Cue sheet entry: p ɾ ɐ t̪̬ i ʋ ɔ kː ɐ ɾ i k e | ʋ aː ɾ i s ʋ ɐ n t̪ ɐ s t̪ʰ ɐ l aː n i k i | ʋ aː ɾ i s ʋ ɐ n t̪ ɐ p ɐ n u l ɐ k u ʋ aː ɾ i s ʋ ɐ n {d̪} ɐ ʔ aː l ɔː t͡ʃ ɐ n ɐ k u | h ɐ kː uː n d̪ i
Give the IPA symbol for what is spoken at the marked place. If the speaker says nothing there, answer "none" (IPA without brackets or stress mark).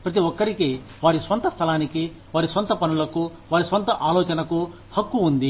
t̪